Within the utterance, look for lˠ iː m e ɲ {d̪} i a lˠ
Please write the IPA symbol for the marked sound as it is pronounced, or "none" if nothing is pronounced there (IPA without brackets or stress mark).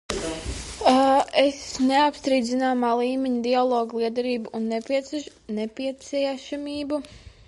d̪